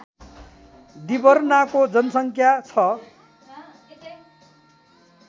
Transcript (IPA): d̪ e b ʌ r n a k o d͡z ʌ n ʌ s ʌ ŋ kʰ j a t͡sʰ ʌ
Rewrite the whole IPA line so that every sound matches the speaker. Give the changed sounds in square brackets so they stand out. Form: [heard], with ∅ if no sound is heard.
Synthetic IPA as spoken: d̪ [i] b ʌ r n a k o d͡z ʌ n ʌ s ʌ ŋ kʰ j a t͡sʰ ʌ

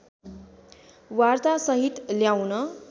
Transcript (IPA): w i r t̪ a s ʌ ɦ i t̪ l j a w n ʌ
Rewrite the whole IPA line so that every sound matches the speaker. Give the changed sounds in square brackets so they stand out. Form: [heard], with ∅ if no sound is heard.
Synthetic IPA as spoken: w [a] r t̪ a s ʌ ɦ i t̪ l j a w n ʌ

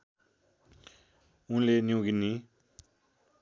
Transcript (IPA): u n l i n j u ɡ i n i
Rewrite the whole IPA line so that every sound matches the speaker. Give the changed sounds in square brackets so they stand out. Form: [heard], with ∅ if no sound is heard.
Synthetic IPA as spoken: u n l [e] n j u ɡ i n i

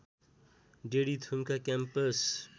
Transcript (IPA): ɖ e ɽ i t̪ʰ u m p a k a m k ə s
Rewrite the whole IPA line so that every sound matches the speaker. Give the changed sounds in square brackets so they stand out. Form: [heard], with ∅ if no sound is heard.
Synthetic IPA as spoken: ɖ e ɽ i t̪ʰ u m [k] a k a m [p] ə s

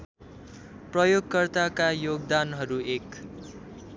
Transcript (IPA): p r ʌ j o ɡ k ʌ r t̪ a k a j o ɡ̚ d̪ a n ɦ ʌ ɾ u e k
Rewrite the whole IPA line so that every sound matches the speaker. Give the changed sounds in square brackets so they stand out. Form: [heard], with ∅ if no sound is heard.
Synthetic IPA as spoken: p r ʌ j o ɡ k ʌ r t̪ a k a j o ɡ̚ d̪ a n ɦ ʌ ɾ u e k

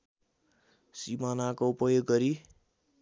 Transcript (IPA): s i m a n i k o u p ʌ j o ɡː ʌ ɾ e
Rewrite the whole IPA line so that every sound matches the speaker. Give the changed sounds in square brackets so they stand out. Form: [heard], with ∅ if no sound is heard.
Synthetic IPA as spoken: s i m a n [a] k o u p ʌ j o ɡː ʌ ɾ [i]

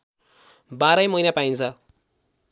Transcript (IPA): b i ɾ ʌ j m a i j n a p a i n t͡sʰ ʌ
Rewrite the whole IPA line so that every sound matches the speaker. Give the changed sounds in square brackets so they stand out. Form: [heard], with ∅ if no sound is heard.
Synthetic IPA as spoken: b [a] ɾ ʌ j m [ʌ] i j n a p a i n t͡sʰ ʌ

